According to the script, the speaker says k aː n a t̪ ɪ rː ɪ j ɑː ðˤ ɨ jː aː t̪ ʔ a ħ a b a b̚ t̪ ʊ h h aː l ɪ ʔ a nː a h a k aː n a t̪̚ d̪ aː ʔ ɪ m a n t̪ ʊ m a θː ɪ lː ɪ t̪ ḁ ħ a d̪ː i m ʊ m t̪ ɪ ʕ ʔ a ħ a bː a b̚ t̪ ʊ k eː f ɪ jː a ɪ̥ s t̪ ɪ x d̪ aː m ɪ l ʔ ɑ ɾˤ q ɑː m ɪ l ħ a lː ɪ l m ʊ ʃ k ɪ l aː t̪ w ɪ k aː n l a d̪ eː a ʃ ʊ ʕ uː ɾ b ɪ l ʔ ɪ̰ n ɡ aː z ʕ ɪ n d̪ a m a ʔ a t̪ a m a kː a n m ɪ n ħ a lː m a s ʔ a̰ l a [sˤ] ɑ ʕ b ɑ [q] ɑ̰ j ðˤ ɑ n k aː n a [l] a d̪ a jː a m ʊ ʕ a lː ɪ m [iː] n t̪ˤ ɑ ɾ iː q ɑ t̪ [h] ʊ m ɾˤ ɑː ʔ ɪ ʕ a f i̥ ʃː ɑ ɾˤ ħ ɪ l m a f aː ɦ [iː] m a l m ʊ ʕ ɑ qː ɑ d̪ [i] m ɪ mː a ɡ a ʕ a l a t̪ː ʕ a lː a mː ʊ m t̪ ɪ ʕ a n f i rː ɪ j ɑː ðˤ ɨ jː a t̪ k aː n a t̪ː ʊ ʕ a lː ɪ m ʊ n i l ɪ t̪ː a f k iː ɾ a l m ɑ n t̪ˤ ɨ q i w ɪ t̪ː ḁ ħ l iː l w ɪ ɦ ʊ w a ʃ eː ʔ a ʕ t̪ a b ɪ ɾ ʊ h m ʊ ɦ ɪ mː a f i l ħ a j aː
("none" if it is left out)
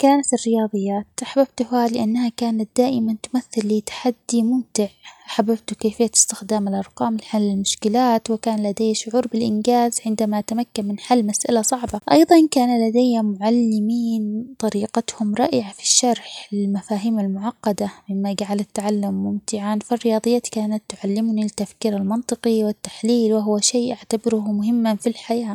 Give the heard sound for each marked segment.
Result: sˤ, ʔ, l, iː, h, iː, a

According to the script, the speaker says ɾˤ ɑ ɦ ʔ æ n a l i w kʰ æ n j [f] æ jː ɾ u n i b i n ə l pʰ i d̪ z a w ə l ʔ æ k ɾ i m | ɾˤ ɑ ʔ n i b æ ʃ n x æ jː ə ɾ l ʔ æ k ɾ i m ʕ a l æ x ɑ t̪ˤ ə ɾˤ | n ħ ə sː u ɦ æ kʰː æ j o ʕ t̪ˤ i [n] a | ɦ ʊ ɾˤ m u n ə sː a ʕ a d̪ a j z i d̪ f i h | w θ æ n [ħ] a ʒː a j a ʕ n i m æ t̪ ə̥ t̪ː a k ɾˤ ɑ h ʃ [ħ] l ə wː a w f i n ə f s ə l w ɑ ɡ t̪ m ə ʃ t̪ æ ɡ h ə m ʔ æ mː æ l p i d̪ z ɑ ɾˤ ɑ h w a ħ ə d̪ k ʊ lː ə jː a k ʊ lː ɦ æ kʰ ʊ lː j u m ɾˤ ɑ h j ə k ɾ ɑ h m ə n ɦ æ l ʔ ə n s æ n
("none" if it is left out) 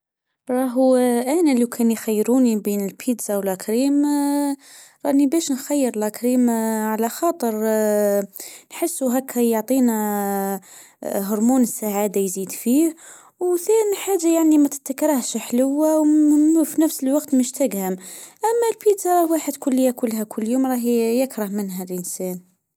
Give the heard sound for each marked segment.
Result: x, n, ħ, ħ

